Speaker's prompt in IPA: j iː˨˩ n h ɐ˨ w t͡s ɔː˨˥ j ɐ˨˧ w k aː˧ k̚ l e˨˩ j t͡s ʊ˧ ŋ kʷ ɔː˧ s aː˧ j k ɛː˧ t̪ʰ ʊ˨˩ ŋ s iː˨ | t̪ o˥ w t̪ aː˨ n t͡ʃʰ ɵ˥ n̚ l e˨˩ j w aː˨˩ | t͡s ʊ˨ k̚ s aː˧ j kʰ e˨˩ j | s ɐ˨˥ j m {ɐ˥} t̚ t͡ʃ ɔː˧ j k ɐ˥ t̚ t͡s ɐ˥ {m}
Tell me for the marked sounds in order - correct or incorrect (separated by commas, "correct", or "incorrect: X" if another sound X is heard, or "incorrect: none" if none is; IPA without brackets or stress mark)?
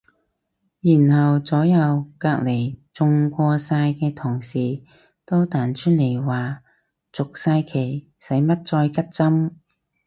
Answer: correct, correct